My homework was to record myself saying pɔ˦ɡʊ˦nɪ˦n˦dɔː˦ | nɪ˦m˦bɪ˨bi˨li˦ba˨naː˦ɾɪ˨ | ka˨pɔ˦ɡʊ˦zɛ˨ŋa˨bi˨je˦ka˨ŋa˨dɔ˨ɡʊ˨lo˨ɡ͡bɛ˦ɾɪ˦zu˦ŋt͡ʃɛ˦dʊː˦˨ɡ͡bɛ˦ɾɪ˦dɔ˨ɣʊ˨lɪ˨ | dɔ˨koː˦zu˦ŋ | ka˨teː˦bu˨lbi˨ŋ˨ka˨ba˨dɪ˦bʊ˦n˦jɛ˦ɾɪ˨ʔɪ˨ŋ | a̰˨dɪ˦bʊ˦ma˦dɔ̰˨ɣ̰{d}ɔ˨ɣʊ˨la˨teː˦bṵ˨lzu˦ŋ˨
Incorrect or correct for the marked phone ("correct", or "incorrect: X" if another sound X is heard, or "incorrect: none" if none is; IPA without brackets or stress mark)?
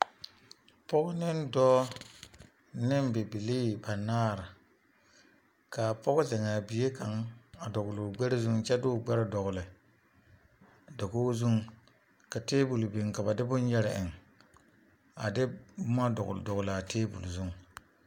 correct